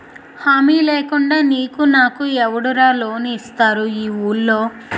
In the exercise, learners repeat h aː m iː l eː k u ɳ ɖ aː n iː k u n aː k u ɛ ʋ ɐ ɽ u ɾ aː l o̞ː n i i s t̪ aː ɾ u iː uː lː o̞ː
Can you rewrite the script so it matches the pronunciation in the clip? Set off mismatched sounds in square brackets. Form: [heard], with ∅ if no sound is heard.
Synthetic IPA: h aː m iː l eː k u ɳ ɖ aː n iː k u n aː k u ɛ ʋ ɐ ɽ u ɾ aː l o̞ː n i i s t̪ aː ɾ u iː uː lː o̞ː